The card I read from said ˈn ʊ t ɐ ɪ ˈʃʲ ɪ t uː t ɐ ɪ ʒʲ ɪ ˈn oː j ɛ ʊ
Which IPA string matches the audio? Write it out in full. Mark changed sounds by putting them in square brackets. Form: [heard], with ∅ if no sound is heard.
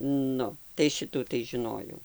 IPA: ˈn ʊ t ɐ ɪ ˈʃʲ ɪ t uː t ɐ ɪ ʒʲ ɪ ˈn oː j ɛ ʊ

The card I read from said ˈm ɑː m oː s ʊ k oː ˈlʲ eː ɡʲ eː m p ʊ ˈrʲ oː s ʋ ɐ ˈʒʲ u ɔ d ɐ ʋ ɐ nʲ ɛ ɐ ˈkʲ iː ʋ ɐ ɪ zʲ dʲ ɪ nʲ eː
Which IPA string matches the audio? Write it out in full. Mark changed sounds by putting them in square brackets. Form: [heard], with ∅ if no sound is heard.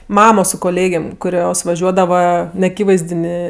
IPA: ˈm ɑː m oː s ʊ k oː ˈlʲ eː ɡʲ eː m [k] ʊ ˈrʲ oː s ʋ ɐ ˈʒʲ u ɔ d ɐ ʋ ɐ nʲ ɛ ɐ ˈkʲ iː ʋ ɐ ɪ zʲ dʲ ɪ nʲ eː

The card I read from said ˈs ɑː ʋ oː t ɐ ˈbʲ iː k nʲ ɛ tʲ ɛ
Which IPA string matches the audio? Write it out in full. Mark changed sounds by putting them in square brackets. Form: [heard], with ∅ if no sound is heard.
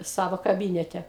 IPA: ˈs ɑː ʋ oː [k] ɐ ˈbʲ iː [∅] nʲ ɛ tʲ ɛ

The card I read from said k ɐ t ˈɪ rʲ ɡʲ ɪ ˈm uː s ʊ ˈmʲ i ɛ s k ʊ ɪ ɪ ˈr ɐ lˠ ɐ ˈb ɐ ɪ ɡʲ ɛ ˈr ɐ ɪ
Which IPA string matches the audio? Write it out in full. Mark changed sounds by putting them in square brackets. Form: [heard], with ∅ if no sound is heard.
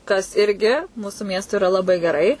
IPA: k ɐ [s] ˈɪ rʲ ɡʲ ɪ ˈm uː s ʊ ˈmʲ i ɛ s [t] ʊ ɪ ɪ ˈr ɐ lˠ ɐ ˈb ɐ ɪ ɡʲ ɛ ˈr ɐ ɪ

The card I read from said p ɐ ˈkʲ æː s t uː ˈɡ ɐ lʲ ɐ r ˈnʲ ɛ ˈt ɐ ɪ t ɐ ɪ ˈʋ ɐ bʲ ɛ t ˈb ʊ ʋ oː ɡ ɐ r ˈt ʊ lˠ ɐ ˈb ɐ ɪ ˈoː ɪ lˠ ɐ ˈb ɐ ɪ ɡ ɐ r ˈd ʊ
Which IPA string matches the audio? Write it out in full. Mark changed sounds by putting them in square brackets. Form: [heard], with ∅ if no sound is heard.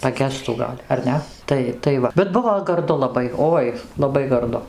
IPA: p ɐ [ˈɡʲ] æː s t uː ˈɡ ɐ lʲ ɐ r ˈnʲ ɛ ˈt ɐ ɪ t ɐ ɪ ˈʋ ɐ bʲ ɛ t ˈb ʊ ʋ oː ɡ ɐ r [ˈd] ʊ lˠ ɐ ˈb ɐ ɪ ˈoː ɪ lˠ ɐ ˈb ɐ ɪ ɡ ɐ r ˈd ʊ

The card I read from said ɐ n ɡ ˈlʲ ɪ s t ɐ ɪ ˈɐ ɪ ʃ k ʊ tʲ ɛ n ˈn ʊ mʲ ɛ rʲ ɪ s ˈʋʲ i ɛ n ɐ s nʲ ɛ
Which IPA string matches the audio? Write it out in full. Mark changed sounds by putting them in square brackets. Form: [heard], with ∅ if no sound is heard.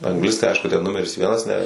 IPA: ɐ [ŋ] ɡ ˈlʲ ɪ s t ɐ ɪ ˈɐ ɪ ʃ k ʊ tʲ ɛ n ˈn ʊ mʲ ɛ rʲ ɪ s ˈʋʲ i ɛ n ɐ s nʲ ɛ

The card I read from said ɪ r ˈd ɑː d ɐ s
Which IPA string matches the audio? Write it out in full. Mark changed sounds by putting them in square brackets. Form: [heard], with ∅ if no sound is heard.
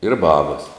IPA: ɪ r [ˈb] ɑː [b] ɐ s

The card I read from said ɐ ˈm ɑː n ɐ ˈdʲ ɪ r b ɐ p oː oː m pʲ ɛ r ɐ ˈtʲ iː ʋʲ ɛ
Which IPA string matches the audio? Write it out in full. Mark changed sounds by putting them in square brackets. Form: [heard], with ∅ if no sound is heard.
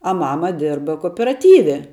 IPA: ɐ ˈm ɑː [m] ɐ ˈdʲ ɪ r b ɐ [k] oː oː [∅] pʲ ɛ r ɐ ˈtʲ iː ʋʲ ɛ

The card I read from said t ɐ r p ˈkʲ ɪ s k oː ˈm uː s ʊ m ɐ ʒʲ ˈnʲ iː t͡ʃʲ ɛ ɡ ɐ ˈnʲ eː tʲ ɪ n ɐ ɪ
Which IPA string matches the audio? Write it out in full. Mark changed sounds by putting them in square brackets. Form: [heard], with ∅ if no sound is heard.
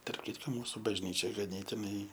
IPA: t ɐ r p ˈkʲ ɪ [t] k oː ˈm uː s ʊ [b] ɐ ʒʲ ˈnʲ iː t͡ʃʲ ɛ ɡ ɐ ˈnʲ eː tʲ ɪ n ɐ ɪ

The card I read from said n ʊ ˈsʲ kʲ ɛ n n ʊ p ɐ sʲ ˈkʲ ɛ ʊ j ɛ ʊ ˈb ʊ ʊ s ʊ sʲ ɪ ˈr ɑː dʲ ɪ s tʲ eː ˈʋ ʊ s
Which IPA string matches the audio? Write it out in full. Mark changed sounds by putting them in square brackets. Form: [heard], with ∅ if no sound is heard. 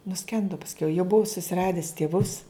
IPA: n ʊ ˈsʲ kʲ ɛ n [d] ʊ p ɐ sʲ ˈkʲ ɛ ʊ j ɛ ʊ ˈb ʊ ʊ s ʊ sʲ ɪ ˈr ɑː dʲ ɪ s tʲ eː ˈʋ ʊ s

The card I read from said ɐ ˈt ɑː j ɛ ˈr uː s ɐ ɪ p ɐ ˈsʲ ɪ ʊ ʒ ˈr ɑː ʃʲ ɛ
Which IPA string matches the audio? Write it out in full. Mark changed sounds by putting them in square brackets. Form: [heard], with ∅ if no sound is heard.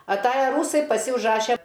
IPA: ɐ ˈt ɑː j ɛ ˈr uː s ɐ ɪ p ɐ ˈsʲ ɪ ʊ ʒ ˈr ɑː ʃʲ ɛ

